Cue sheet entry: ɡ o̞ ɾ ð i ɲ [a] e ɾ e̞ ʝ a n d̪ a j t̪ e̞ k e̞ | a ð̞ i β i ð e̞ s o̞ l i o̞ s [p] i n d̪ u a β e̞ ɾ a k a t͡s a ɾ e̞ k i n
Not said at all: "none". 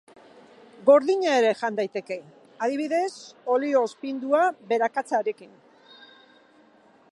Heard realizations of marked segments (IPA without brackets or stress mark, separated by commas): a, p